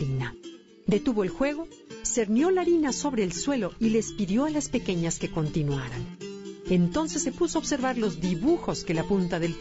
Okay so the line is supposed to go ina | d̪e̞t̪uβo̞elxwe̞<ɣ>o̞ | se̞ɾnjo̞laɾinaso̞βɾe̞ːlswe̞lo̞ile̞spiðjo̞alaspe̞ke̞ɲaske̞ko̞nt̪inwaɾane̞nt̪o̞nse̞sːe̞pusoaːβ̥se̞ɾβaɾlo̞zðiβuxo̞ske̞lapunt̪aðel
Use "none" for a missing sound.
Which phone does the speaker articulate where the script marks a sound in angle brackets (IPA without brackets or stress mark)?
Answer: ɣ